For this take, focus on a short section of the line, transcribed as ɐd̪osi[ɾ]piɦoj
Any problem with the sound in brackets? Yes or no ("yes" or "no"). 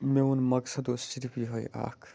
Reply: no